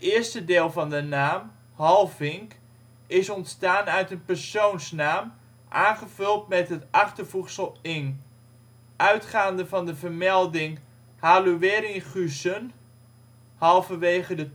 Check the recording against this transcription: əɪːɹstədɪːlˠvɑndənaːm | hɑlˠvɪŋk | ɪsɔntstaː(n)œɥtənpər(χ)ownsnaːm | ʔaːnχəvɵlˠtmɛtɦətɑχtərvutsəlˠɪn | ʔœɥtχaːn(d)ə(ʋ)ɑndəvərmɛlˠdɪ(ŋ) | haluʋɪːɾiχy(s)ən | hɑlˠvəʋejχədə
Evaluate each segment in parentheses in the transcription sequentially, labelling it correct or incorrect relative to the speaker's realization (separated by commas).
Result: correct, incorrect, correct, incorrect, correct, correct